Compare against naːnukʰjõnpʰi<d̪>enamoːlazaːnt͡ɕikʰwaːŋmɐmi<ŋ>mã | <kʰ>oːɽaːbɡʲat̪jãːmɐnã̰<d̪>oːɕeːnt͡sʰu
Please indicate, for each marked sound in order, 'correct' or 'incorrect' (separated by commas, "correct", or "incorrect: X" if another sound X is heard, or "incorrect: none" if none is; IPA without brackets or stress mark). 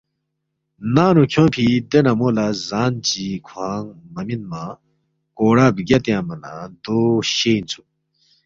correct, incorrect: n, incorrect: k, correct